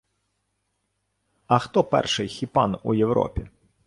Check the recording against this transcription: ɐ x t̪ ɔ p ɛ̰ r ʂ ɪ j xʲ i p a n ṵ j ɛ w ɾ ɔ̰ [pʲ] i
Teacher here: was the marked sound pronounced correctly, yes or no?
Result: yes